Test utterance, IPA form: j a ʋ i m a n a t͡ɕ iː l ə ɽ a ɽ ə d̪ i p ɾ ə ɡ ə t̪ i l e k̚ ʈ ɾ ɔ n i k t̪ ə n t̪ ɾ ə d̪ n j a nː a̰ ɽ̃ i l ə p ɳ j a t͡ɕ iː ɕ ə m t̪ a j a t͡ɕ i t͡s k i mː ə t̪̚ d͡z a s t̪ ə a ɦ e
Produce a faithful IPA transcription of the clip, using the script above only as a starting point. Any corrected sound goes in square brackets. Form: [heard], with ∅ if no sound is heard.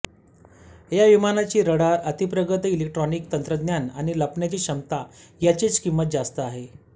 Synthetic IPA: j a ʋ i m a n a t͡ɕ iː [ɾ] ə ɽ a [ɾ] ə [t̪] i p ɾ ə ɡ ə t̪ i l e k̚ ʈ ɾ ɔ n i k t̪ ə n t̪ ɾ ə d̪ n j a [n] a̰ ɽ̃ i l ə p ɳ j a t͡ɕ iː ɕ ə m t̪ a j a t͡ɕ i t͡s k i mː ə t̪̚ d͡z a s t̪ ə a ɦ e